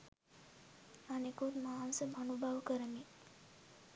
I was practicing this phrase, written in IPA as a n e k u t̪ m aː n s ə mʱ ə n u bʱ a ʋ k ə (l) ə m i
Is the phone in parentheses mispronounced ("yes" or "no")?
yes